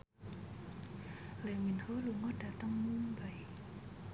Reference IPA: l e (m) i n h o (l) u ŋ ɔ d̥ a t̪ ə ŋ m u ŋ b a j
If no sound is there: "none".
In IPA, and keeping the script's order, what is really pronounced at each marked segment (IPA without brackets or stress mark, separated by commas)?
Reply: m, l